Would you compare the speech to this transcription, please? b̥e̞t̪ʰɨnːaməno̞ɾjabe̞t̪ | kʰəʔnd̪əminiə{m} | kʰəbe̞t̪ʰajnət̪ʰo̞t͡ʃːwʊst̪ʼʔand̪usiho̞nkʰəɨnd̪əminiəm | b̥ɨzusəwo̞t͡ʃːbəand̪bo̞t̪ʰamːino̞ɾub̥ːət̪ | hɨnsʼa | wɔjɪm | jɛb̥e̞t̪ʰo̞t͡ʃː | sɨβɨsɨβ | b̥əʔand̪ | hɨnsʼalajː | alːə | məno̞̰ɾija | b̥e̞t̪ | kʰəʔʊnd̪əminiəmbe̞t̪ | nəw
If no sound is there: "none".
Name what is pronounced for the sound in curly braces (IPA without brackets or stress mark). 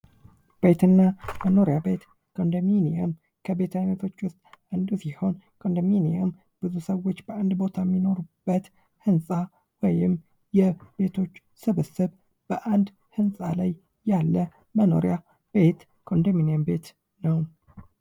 m